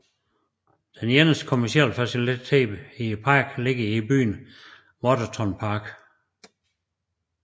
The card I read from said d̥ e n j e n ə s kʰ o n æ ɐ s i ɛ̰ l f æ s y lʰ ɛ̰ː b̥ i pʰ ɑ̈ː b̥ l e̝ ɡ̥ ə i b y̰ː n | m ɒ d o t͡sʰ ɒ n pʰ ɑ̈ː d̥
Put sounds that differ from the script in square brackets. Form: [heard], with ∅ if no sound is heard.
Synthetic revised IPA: d̥ e n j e n ə s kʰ o [m] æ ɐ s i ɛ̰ l f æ s [i] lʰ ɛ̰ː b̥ i pʰ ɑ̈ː [ɡ̥] l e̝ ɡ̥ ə i b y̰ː n | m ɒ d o t͡sʰ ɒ n pʰ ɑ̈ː [ɡ̥]

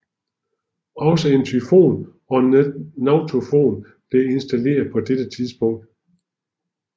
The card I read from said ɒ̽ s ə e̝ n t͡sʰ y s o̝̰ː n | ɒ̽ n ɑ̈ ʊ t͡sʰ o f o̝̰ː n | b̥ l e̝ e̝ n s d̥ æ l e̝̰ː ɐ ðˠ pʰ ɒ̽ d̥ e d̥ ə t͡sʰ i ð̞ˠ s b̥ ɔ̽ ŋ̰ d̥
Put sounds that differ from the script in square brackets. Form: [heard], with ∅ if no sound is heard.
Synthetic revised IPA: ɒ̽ s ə e̝ n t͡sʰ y [f] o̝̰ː n | ɒ̽ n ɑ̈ ʊ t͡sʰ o f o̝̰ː n | b̥ l e̝ e̝ n s d̥ æ l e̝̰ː ɐ ðˠ pʰ ɒ̽ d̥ e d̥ ə t͡sʰ i ð̞ˠ s b̥ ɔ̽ ŋ̰ d̥

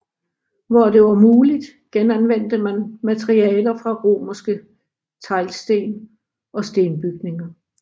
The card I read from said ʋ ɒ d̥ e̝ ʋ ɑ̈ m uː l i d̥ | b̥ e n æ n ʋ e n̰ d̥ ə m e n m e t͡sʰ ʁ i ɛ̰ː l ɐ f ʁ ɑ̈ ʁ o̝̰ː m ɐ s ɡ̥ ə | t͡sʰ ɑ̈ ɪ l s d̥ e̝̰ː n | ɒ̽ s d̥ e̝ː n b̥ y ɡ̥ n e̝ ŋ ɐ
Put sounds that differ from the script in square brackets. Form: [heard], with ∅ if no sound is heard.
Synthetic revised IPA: ʋ ɒ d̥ e̝ ʋ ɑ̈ m uː l i d̥ | [ɡ̥] e n æ n ʋ e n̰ d̥ ə m [æ] n m [æ] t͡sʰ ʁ i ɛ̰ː l ɐ f ʁ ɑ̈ ʁ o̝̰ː m ɐ s ɡ̥ ə | t͡sʰ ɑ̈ ɪ l s d̥ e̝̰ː n | ɒ̽ s d̥ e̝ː n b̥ y ɡ̥ n e̝ ŋ ɐ

